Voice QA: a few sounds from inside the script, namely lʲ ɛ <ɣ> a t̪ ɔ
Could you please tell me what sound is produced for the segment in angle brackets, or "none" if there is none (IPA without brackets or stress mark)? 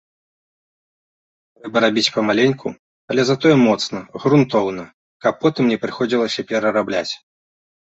z